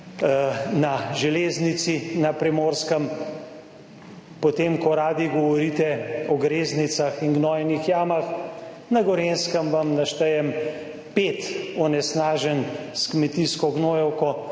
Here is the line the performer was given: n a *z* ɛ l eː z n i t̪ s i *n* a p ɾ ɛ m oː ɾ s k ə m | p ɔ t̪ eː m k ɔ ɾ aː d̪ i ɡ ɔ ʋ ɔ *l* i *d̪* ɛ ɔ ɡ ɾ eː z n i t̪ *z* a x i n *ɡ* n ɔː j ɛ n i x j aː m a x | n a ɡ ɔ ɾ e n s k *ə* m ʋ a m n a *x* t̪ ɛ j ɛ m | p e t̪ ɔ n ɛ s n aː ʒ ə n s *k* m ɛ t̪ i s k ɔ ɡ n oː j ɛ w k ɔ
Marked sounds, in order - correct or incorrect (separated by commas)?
incorrect, correct, incorrect, incorrect, incorrect, correct, correct, incorrect, correct